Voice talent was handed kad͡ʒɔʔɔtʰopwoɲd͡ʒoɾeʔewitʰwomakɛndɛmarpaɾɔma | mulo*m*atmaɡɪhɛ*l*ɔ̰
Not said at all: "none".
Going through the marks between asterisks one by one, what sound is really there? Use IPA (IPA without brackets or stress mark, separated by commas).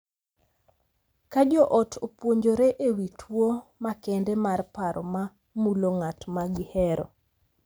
ŋ, ɾ